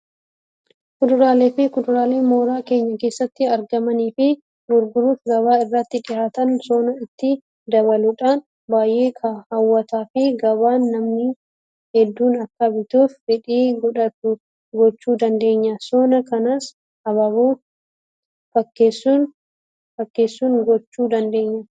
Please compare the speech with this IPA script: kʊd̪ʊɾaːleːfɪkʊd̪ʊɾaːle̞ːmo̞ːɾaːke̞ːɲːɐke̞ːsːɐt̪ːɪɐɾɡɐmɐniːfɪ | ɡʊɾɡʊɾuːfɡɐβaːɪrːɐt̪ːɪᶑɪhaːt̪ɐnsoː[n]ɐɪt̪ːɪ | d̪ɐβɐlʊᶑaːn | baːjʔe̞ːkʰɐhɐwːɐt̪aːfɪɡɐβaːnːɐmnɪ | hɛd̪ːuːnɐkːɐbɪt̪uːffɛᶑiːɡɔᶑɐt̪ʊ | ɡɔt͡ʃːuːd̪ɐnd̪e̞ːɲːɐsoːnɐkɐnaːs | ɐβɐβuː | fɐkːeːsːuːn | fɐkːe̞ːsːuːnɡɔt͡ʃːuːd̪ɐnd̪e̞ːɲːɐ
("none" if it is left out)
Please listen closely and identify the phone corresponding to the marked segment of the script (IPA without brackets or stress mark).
n